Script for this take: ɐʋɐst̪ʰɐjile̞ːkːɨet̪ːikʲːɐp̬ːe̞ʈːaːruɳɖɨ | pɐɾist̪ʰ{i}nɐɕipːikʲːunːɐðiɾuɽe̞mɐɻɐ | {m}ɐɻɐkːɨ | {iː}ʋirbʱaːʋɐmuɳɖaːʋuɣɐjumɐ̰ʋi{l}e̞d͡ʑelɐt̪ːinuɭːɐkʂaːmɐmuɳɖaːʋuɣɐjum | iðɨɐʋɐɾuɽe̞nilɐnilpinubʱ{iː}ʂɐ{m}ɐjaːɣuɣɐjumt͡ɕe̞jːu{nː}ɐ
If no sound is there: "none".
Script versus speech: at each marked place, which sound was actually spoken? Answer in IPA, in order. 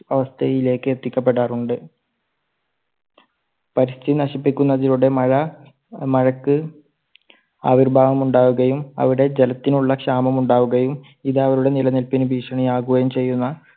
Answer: i, m, aː, ɽ, iː, ɳ, nː

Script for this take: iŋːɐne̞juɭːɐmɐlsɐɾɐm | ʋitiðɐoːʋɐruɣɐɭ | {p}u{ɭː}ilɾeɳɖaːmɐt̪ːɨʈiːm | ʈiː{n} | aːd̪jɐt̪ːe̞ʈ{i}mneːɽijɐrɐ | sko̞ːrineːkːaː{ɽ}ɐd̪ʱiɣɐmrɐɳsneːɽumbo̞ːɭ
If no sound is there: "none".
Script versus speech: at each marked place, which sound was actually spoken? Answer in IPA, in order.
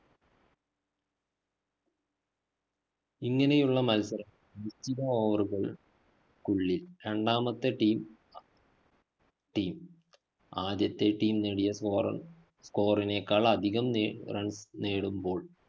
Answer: k, ɭː, m, iː, ɭ

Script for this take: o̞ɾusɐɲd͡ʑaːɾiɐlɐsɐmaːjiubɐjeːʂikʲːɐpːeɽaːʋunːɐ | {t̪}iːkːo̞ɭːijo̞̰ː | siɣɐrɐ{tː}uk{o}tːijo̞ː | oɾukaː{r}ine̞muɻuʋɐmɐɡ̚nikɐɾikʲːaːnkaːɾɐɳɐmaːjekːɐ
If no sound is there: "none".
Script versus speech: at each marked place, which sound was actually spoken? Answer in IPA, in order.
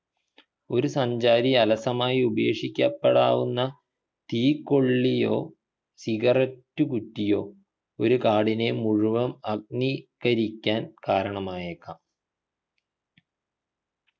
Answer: t̪, tː, u, ɽ

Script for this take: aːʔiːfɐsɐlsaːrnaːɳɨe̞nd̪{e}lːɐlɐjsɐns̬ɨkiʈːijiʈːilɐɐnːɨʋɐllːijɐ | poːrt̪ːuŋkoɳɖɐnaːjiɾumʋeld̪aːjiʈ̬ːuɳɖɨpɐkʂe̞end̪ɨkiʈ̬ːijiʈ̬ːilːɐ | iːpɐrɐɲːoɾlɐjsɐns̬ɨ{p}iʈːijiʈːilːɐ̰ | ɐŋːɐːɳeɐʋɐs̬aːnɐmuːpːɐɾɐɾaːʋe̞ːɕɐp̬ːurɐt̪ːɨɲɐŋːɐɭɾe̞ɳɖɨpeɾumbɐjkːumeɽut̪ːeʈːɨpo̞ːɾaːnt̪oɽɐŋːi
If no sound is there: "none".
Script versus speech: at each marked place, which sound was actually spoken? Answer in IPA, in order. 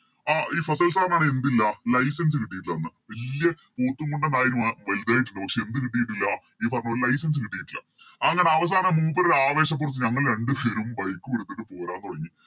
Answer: i, k

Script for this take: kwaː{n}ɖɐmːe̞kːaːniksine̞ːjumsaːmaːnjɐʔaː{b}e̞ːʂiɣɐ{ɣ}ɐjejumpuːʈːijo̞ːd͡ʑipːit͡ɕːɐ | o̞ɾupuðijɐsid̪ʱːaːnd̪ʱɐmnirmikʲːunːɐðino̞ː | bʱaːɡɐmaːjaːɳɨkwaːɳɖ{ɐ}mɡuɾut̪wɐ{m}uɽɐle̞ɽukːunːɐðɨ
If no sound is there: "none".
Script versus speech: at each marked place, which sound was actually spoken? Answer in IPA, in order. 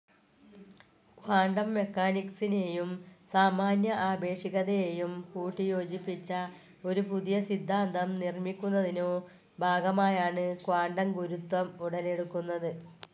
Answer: ɳ, b, ð, ɐ, m

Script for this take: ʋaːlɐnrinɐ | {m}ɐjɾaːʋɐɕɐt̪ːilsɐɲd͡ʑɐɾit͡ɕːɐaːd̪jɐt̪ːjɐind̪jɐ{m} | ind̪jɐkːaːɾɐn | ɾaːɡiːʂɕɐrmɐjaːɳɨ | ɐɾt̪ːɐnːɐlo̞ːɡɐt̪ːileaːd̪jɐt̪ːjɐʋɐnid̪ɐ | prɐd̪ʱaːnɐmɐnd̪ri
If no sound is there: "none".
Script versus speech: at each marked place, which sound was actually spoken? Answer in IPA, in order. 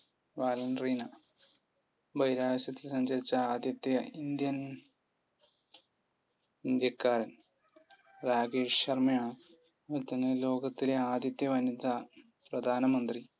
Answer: b, n

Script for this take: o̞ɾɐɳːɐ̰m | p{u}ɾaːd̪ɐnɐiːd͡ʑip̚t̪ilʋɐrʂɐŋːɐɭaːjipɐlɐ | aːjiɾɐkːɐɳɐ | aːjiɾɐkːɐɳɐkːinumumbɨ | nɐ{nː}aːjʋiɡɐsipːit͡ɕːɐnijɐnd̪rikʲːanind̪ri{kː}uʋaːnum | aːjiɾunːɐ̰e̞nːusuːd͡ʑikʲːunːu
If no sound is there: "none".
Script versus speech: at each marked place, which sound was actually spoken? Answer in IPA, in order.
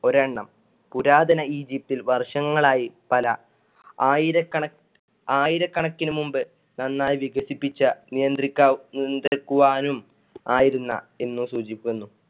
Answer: u, nː, kː

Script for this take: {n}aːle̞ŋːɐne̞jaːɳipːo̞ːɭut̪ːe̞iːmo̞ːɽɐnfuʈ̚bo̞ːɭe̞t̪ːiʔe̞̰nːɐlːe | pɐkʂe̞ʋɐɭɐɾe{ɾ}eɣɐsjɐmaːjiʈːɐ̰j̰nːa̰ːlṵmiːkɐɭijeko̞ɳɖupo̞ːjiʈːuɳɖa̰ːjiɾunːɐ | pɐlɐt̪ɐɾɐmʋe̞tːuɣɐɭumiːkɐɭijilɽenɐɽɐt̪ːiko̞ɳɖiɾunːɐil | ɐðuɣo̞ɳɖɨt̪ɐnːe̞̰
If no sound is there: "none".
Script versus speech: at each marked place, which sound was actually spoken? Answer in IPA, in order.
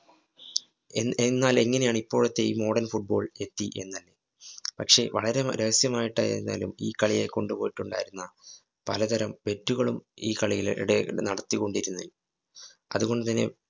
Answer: nː, ɾ

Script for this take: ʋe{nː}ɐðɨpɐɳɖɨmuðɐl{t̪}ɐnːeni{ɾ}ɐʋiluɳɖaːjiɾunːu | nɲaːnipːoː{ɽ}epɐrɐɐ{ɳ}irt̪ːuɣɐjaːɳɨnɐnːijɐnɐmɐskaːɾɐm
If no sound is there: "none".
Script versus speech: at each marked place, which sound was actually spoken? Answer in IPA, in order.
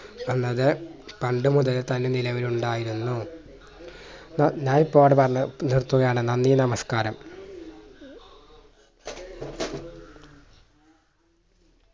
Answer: nː, t̪, l, ɽ, n

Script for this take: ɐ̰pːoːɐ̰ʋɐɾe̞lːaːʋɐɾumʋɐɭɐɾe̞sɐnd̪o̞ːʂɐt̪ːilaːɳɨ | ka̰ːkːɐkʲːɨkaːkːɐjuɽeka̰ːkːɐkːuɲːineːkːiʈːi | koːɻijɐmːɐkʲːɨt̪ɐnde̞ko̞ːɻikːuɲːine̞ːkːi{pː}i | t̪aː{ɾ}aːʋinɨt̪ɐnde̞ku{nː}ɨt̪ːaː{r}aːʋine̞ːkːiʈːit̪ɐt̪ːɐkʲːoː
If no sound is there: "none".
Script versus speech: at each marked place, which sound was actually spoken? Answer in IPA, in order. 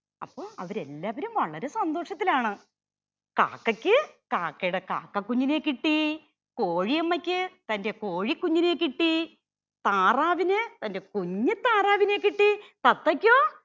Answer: ʈː, r, ɲː, r

